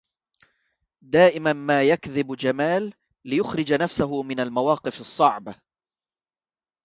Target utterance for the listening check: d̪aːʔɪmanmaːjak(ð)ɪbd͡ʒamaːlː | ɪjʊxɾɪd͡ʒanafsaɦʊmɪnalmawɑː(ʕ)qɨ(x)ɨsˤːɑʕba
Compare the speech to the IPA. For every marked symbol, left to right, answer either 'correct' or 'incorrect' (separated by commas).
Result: correct, incorrect, incorrect